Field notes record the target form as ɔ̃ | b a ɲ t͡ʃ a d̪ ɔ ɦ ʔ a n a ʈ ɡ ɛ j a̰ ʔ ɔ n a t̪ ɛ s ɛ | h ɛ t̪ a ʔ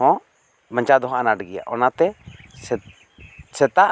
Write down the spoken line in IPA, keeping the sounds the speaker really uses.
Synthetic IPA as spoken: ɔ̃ | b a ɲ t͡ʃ a d̪ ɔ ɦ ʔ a n a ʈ ɡ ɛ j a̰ ʔ ɔ n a t̪ ɛ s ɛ | s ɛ t̪ a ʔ